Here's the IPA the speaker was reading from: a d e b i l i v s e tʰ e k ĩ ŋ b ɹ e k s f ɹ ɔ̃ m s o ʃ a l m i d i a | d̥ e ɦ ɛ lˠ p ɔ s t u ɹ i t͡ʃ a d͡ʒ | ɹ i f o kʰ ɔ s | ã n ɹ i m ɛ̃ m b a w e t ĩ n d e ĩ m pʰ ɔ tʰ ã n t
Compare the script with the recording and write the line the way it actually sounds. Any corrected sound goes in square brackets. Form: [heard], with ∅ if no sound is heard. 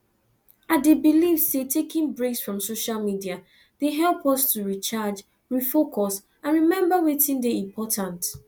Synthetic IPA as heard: a d e b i l i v s e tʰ e k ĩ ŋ b ɹ e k s f ɹ ɔ̃ m s o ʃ a l m i d i a | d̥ e ɦ ɛ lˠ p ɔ s t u ɹ i t͡ʃ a d͡ʒ | ɹ i f o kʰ ɔ s | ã n ɹ i m ɛ̃ m b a w e t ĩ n d e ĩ m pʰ ɔ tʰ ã n t